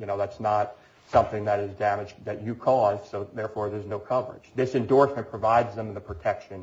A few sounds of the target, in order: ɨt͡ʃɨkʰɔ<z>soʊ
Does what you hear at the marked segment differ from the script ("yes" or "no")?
no